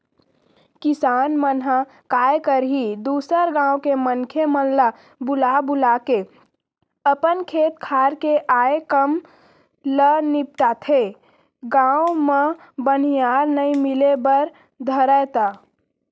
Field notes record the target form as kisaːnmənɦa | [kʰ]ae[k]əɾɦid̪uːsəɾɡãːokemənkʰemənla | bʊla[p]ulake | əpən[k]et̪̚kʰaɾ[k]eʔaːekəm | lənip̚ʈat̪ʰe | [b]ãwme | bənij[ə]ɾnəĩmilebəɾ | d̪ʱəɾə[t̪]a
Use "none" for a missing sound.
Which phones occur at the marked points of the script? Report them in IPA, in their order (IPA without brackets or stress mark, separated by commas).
k, k, b, kʰ, k, ɡ, a, t̪